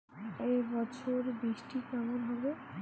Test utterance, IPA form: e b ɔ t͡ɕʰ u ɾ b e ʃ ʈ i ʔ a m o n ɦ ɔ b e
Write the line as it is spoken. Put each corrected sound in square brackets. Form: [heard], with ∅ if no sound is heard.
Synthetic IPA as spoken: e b ɔ t͡ɕʰ [o] ɾ b [i] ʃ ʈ i [k] a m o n ɦ ɔ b e